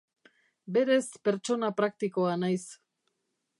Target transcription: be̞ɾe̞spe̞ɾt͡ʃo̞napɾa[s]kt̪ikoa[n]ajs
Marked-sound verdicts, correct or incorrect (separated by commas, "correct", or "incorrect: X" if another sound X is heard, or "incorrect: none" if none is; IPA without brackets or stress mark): incorrect: none, correct